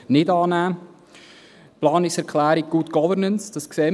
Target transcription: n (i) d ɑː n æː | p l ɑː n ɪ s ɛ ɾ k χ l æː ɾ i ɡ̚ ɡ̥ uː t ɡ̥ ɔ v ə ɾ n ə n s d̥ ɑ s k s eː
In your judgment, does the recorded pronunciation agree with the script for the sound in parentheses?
no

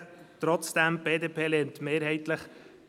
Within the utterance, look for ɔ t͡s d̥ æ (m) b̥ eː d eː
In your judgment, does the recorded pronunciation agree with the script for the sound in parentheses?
yes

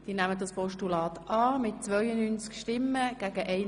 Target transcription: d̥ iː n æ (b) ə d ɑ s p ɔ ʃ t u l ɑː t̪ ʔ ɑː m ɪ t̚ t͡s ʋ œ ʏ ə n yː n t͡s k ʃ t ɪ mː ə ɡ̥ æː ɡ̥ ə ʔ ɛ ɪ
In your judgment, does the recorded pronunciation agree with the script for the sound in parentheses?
no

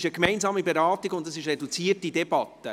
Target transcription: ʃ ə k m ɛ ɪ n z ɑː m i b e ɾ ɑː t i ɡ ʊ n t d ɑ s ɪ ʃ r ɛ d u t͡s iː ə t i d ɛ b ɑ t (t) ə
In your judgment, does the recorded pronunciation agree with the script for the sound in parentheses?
yes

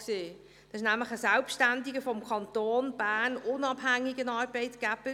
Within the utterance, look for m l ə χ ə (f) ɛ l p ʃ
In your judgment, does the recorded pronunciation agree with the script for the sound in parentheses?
no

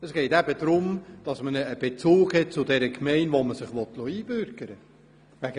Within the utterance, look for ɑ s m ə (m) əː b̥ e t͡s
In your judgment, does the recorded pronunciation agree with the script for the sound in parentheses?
no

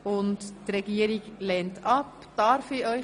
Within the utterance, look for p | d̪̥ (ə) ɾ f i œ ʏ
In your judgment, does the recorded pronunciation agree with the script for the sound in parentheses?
no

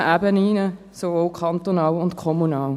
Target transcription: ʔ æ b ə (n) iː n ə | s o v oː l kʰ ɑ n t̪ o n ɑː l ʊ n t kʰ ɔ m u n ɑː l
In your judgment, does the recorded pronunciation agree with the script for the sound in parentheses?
yes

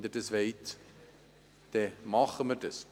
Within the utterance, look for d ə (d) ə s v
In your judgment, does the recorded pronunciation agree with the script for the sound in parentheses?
no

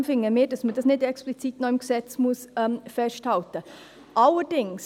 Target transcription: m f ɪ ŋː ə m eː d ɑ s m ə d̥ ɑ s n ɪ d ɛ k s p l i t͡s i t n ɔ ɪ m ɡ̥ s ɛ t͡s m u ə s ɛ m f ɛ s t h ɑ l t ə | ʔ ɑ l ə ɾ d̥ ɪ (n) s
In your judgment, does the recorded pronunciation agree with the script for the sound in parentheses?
no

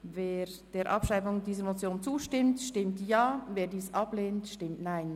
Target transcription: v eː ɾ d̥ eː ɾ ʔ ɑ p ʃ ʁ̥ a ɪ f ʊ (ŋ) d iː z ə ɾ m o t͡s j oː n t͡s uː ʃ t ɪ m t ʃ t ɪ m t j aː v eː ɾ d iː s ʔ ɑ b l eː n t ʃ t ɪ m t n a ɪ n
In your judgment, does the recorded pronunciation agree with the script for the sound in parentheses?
yes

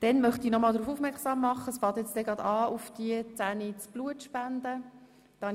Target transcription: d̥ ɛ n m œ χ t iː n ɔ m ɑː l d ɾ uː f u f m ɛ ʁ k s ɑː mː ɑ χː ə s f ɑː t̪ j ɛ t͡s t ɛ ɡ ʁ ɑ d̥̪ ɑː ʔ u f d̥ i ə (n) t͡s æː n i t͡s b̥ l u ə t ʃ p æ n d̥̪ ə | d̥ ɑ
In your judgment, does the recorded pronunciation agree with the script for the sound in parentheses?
no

